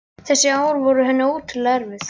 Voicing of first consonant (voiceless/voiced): voiceless